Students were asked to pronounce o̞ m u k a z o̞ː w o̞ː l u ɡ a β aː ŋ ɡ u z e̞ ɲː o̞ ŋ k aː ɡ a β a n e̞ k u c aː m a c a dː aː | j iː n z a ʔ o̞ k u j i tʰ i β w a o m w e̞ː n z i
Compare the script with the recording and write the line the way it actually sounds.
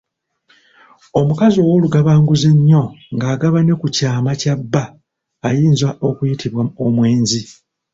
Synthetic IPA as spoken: o̞ m u k a z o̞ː w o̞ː l u ɡ a β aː ŋ ɡ u z e̞ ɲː o̞ ŋ ɡ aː ɡ a β a n e̞ k u c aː m a c a bː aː | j iː n z a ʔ o̞ k u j i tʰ i β w a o m w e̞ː n z i